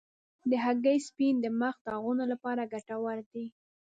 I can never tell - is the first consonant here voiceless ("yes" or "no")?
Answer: no